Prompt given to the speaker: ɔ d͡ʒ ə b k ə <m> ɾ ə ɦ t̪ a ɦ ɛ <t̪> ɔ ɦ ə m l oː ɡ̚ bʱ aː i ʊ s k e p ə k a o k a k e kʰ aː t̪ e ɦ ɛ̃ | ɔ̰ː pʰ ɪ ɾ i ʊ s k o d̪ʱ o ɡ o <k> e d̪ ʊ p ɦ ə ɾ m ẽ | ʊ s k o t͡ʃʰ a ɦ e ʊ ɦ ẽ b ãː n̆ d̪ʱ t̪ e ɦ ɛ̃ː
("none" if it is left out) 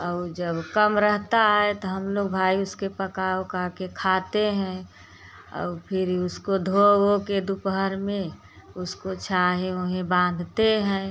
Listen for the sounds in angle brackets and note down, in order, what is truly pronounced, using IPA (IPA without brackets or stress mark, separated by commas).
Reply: m, t̪, k